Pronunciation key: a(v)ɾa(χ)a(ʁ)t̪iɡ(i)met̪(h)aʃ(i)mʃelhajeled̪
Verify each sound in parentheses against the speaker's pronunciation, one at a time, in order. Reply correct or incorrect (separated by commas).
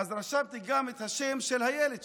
incorrect, incorrect, incorrect, incorrect, correct, incorrect